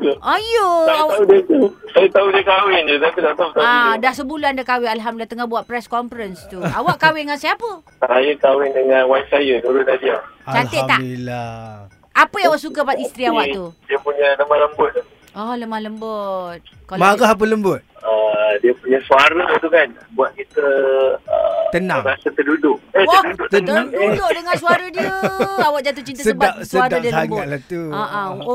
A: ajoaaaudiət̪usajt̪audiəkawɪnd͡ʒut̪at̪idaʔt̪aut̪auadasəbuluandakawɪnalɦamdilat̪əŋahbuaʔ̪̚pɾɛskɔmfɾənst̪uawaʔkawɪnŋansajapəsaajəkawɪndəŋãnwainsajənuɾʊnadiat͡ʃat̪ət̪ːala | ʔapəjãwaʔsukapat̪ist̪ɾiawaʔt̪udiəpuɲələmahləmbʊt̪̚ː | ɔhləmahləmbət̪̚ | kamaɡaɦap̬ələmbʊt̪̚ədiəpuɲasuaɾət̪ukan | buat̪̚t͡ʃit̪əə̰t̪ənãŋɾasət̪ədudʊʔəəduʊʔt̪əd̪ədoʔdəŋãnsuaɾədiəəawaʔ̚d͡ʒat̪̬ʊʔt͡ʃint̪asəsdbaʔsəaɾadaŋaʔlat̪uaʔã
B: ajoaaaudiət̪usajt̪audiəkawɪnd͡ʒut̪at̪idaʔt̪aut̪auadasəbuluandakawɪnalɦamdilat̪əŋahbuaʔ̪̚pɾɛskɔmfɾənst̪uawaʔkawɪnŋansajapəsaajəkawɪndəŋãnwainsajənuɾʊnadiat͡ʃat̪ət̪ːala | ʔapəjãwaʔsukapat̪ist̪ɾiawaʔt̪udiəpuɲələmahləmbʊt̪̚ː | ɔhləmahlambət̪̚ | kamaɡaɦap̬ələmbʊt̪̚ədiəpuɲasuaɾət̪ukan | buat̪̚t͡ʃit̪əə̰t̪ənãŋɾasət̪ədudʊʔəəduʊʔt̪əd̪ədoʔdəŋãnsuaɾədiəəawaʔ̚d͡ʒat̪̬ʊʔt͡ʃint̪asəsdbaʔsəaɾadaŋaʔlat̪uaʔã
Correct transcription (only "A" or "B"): A